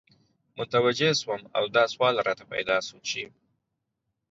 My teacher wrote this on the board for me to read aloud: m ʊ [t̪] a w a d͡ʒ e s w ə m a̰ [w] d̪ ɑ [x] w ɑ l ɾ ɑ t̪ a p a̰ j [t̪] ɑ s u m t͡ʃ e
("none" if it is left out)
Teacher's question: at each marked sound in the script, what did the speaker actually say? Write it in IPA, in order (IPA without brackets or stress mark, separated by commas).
t̪, w, s, d̪